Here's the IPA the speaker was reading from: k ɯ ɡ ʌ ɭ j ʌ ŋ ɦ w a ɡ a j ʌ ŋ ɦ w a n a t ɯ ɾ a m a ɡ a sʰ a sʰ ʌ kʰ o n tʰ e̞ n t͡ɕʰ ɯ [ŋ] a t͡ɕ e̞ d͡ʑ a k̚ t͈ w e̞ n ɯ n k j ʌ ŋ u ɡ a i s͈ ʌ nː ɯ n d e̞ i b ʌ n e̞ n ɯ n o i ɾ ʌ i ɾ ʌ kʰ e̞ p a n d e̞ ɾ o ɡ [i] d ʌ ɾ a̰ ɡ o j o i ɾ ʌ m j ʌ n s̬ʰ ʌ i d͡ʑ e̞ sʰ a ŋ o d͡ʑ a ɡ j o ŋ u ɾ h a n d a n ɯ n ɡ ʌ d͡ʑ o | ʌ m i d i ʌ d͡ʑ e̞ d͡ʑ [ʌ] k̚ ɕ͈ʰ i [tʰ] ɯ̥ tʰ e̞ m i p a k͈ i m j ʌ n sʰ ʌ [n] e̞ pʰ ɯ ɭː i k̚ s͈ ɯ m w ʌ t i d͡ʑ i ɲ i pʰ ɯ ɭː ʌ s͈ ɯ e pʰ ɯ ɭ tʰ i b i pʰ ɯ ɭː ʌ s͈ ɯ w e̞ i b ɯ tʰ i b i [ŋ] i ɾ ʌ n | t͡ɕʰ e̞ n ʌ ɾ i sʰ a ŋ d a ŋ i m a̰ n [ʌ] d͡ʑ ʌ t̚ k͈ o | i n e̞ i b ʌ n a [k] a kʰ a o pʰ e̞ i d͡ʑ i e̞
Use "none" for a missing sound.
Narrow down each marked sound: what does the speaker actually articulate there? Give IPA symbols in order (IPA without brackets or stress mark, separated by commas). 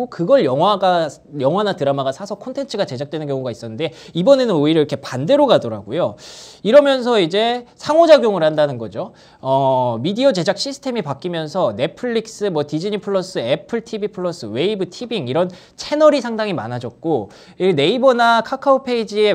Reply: ɡ, a, a, sʰ, n, ŋ, a, kʰ